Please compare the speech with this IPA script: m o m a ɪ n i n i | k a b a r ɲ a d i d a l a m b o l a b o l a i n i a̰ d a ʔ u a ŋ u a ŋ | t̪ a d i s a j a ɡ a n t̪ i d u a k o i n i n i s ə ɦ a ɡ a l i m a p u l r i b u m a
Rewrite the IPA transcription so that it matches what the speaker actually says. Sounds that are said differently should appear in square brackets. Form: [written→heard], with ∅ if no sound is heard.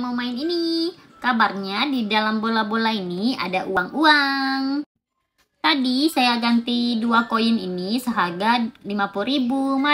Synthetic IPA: m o m a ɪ n i n i | k a b a r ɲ a d i d a l a m b o l a b o l a i n i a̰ d a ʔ u a ŋ u a ŋ | t̪ a d i s a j a ɡ a n t̪ i d u a k o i n i n i s ə ɦ a ɡ a l i m a p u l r i b u m a